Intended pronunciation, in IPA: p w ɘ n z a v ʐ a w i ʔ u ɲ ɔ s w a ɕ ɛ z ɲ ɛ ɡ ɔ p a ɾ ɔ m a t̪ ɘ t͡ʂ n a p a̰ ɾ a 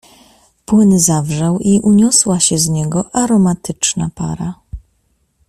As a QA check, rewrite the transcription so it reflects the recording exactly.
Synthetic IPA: p w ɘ n z a v ʐ a w i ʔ u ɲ ɔ s w a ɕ ɛ z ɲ ɛ ɡ ɔ ʔ a ɾ ɔ m a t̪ ɘ t͡ʂ n a p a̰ ɾ a